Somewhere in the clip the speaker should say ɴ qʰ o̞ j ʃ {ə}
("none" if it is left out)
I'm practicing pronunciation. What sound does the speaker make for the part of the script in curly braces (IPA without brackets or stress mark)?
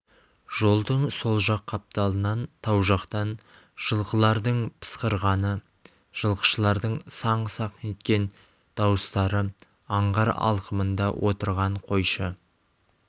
ə